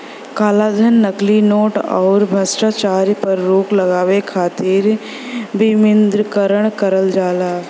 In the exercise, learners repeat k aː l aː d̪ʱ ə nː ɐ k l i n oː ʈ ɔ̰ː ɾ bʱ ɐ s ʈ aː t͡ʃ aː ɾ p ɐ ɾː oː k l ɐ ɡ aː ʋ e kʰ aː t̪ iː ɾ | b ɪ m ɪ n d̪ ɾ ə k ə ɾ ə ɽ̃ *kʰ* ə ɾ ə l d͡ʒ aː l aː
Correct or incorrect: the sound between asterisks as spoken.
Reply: incorrect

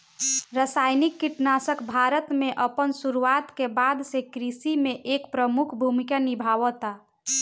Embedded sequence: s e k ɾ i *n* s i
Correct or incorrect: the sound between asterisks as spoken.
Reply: incorrect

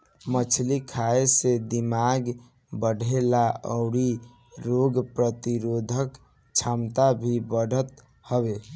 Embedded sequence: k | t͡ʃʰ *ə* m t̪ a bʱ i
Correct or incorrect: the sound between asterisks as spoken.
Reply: incorrect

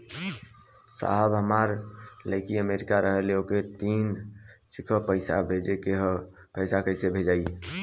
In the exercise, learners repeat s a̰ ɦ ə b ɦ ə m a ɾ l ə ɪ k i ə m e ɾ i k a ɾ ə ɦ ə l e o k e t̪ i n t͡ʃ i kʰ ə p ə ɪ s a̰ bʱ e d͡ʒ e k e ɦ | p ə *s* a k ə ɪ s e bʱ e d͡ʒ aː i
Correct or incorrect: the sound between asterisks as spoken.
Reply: correct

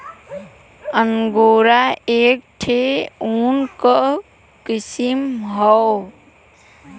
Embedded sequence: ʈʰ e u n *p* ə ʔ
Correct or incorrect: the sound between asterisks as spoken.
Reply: incorrect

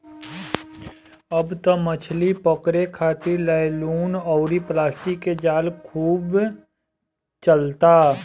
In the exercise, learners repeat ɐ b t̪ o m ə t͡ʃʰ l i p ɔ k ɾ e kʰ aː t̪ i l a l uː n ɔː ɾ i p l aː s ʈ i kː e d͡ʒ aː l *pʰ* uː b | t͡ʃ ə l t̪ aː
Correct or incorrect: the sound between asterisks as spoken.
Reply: incorrect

